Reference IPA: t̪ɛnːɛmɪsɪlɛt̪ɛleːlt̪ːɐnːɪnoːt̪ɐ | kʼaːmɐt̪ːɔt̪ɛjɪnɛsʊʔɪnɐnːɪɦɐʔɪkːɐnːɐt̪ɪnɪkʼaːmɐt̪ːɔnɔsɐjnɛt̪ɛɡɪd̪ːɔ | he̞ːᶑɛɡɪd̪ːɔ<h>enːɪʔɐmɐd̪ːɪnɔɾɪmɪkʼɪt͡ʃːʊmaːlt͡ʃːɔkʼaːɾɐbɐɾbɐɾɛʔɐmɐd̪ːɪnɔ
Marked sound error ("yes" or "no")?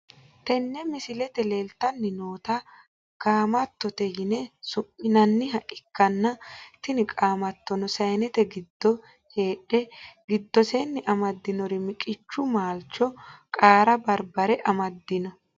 yes